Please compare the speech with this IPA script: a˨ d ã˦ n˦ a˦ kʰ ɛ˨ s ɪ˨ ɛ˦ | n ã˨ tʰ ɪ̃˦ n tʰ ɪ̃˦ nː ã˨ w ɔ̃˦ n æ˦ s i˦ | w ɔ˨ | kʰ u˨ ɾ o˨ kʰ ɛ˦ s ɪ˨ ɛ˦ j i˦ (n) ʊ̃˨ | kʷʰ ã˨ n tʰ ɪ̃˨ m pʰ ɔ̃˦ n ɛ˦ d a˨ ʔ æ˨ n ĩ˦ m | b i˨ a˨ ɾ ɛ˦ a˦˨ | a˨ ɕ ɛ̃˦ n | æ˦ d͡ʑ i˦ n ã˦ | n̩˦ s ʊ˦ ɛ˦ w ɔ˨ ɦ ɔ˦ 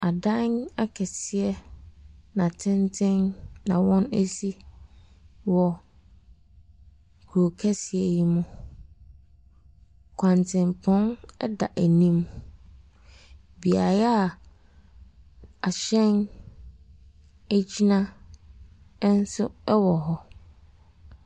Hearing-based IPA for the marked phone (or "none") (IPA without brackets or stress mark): m